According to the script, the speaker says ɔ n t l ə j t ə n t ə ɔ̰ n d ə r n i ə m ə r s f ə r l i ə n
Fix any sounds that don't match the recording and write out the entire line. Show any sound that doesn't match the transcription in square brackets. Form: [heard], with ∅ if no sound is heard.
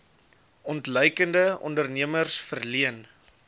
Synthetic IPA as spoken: ɔ n t l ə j [k] ə n [d] ə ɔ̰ n d ə r n i ə m ə r s f ə r l i ə n

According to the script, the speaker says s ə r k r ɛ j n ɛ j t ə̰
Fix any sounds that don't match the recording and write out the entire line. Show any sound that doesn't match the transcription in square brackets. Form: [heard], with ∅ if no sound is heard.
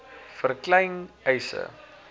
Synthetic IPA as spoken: [f] ə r k [l] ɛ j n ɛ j [s] ə̰

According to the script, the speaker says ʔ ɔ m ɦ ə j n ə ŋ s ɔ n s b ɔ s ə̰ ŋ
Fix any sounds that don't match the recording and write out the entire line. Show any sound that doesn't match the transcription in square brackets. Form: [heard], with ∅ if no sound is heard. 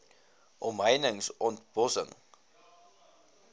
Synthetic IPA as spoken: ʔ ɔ m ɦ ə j n ə ŋ s ɔ n [t] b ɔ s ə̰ ŋ

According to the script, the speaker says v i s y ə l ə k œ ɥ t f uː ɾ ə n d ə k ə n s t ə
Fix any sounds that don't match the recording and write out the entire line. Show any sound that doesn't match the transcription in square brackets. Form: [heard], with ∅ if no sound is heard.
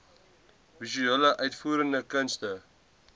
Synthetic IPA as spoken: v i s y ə l ə [ʔ] œ ɥ t f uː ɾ ə n d ə k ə n s t ə

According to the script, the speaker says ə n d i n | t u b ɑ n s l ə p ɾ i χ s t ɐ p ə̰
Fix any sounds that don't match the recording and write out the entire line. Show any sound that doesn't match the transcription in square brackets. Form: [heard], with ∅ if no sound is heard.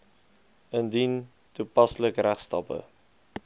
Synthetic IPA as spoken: ə n d i n | t u [p] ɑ [∅] s l ə [k] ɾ [æ] χ s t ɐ p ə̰

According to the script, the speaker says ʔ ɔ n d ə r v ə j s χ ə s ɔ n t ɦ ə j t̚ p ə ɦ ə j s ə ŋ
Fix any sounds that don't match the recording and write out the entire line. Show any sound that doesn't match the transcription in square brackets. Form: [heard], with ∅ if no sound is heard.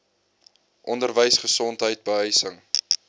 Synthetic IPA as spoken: ʔ ɔ n d ə r v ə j s χ ə s ɔ n t ɦ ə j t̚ [b] ə ɦ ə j s ə ŋ

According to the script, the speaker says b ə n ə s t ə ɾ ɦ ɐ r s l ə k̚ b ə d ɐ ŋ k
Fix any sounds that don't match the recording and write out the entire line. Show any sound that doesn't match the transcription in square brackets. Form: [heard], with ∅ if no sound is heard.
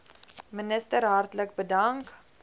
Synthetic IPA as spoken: [m] ə n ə s t ə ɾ ɦ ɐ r [t] l ə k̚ b ə d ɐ ŋ k

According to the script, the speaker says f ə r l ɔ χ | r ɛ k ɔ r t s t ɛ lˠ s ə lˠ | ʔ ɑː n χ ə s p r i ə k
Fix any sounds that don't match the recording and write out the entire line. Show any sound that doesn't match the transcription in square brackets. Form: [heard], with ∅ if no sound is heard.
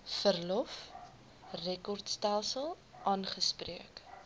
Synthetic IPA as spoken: f ə r l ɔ [f] | r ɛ k ɔ r t s t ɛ lˠ s ə lˠ | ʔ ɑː n χ ə s p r i ə k

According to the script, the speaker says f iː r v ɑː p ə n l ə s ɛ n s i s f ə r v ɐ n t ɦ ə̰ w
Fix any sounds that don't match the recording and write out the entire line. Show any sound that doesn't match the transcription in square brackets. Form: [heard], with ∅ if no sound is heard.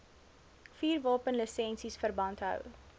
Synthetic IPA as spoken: f iː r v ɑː p ə n l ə s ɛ n s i s f ə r [b] ɐ n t ɦ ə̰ w

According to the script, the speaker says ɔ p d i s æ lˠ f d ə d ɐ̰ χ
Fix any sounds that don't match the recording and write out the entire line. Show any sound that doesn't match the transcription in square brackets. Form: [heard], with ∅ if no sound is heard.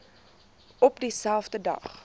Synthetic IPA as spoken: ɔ p d i s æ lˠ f d ə d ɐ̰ χ

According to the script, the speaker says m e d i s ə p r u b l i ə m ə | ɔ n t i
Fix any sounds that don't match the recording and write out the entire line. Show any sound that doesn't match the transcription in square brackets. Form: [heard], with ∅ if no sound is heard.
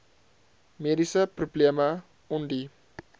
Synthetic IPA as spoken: m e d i s ə p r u b l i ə m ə | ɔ n [d] i

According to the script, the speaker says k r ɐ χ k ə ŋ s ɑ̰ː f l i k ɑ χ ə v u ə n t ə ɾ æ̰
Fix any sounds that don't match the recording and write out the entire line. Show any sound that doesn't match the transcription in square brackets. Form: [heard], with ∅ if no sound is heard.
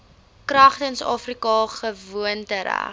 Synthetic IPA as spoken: k r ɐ χ [t] ə [n] s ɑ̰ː f [r] i k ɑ χ ə v u ə n t ə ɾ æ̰

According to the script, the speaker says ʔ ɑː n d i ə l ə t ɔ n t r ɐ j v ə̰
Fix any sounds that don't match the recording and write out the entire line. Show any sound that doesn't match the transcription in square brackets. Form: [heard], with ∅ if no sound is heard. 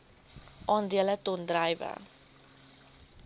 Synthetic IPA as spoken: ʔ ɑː n d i ə l ə t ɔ n [d] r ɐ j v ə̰

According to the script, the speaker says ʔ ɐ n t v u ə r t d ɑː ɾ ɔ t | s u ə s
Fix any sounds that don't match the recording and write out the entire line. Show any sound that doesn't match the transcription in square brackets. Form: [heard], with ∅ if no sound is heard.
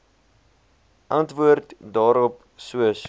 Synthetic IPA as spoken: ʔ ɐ n t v u ə r t d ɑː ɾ ɔ [p] | s u ə s

